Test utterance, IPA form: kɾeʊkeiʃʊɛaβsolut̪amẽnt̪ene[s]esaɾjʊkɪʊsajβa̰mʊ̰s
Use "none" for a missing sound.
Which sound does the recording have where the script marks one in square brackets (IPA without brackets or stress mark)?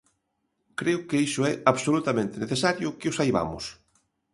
θ